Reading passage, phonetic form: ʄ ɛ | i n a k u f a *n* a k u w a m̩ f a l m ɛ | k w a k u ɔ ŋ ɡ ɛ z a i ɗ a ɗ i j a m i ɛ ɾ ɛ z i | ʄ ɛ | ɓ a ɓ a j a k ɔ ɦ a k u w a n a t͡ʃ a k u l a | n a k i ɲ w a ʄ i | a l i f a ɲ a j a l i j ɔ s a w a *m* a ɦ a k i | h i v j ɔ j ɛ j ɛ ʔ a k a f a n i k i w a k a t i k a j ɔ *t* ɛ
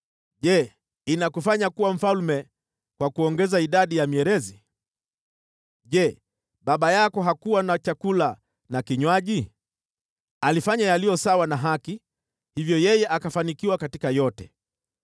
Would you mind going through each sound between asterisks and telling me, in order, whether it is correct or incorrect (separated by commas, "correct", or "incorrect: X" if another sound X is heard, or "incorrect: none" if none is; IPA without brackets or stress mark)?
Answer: incorrect: ɲ, incorrect: n, correct